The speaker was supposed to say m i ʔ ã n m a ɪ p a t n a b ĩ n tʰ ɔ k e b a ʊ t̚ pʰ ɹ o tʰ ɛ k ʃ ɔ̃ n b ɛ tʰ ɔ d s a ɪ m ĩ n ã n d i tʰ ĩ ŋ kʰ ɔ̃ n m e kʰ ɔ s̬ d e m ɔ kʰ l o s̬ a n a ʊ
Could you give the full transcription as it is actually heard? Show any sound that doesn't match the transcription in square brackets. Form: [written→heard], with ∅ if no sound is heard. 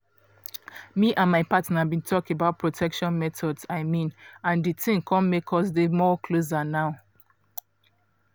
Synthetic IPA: m i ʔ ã n m a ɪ p a t n a b ĩ n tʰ ɔ k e b a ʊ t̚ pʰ ɹ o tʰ ɛ k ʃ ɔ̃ n [b→m] ɛ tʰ ɔ d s a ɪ m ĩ n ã n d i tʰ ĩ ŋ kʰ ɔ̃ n m e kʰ ɔ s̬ d e m ɔ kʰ l o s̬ a n a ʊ